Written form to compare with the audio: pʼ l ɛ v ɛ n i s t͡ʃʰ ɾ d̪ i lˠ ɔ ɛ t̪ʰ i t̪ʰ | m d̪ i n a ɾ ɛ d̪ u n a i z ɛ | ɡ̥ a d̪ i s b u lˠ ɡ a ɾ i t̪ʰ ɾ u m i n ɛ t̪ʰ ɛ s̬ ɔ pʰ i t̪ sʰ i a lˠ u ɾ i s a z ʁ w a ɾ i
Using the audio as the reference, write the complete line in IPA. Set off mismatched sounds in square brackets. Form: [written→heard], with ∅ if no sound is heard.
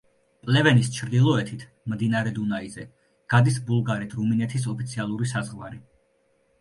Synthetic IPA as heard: pʼ l ɛ v ɛ n i s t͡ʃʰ ɾ d̪ i lˠ ɔ ɛ t̪ʰ i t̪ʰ | m d̪ i n a ɾ ɛ d̪ u n a i z ɛ | ɡ̥ a d̪ i s b u lˠ ɡ a ɾ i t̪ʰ ɾ u m i n ɛ t̪ʰ [ɛ→i] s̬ ɔ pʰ i t̪ sʰ i a lˠ u ɾ i s a z ʁ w a ɾ i